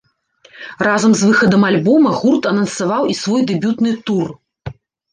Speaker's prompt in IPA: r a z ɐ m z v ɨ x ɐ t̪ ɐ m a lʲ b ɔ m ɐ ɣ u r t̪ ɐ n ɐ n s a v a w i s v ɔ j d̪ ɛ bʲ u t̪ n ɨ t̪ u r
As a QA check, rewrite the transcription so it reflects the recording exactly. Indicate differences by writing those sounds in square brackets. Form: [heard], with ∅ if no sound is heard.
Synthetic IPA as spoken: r a z ɐ m z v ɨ x ɐ [d̪] ɐ m a lʲ b ɔ m ɐ ɣ u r t̪ ɐ n ɐ n s a v a w i s v ɔ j d̪ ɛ bʲ u t̪ n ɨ t̪ u r